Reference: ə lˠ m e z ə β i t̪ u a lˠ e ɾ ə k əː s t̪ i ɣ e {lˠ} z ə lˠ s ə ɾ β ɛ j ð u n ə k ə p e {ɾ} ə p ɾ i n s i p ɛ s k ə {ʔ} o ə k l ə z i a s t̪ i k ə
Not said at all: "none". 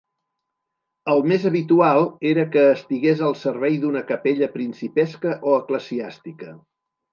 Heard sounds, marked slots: none, ʎ, ʔ

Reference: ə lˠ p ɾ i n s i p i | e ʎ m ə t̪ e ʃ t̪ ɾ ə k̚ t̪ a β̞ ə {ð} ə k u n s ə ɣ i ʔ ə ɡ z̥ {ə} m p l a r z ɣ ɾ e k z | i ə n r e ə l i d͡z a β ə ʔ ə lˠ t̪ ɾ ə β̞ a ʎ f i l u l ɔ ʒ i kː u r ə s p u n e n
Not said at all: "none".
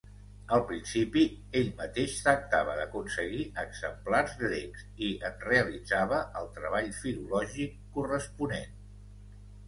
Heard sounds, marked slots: ð, ə

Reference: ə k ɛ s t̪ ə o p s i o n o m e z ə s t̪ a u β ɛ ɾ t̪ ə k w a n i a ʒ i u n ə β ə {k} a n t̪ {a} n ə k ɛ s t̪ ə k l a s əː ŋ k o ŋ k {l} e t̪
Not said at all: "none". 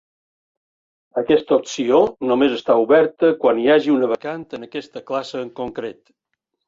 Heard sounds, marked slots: k, ə, ɾ

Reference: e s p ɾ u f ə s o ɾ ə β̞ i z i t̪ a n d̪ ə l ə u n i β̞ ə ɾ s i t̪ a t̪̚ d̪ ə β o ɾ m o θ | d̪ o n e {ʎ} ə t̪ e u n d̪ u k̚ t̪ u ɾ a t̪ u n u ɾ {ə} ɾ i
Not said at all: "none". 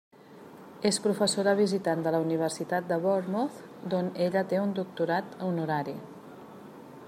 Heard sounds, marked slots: ʎ, a

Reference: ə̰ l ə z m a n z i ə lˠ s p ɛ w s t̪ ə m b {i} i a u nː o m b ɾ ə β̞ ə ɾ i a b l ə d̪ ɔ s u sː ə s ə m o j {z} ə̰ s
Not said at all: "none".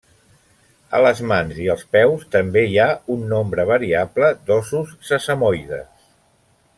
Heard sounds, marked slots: e, ð

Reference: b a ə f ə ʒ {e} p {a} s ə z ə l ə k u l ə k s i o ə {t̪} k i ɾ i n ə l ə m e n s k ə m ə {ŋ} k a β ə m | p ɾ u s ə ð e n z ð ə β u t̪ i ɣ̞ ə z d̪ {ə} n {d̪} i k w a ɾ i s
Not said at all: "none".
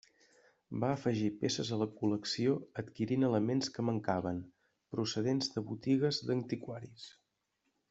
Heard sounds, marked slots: i, e, t̪, ŋ, ə, t̪

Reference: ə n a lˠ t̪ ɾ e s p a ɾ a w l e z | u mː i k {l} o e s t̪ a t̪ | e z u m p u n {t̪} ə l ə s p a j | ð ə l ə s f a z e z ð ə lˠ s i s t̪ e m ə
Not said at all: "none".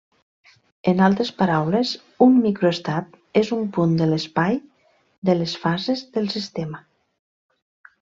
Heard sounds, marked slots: ɾ, d̪

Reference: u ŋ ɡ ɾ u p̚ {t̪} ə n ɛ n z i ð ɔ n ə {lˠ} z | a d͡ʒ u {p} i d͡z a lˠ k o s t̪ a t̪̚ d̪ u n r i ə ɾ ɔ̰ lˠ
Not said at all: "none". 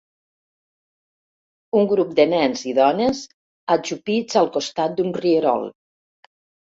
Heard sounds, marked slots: d̪, none, p

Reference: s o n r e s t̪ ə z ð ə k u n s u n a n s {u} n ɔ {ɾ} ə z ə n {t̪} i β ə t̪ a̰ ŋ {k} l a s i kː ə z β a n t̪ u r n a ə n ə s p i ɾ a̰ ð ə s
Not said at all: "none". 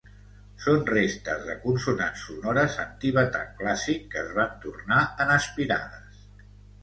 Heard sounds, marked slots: u, ɾ, t̪, k

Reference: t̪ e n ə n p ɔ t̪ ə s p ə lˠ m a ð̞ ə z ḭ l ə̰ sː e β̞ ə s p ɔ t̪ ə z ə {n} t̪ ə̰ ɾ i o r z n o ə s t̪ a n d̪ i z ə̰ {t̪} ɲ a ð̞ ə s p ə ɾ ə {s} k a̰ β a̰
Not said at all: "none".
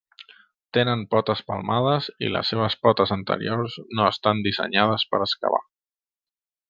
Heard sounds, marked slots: n, none, s

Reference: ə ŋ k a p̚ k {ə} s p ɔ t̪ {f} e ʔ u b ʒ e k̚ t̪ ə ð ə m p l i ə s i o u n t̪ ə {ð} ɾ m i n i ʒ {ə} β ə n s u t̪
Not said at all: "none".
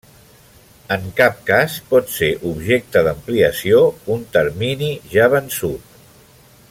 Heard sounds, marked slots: a, s, none, a

